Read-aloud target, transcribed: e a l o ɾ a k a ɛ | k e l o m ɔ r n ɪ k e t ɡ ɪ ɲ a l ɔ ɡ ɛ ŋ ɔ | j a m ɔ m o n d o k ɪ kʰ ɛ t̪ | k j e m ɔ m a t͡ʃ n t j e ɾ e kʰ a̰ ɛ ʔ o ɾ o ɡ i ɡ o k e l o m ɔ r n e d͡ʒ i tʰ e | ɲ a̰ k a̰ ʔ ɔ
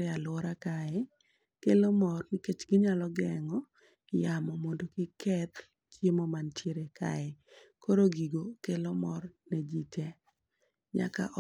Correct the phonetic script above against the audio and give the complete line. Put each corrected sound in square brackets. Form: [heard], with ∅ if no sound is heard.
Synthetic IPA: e a l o ɾ a k a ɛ | k e l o m ɔ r n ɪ k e [t͡ʃ] ɡ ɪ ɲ a l ɔ ɡ ɛ ŋ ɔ | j a m ɔ m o n d o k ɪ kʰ ɛ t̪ | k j e m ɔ m a [∅] n t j e ɾ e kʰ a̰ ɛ [k] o ɾ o ɡ i ɡ o k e l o m ɔ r n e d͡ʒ i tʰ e | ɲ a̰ k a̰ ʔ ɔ